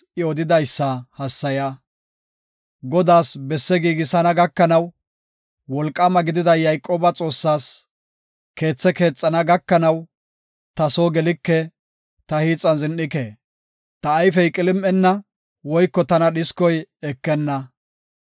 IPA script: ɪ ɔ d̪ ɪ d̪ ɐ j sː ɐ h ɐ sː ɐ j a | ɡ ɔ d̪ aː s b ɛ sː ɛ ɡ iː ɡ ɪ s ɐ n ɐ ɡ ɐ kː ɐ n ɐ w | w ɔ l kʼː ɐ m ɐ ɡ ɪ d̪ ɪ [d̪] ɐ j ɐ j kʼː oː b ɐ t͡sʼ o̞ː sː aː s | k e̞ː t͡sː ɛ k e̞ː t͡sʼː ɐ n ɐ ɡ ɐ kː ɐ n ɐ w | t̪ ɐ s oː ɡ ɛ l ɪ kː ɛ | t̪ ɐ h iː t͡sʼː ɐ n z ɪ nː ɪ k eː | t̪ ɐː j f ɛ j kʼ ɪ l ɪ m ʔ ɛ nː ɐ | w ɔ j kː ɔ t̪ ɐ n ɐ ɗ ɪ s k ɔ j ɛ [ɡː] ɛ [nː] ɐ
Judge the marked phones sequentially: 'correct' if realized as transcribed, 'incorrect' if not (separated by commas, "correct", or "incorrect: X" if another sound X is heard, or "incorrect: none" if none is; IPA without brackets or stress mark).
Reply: correct, incorrect: kː, correct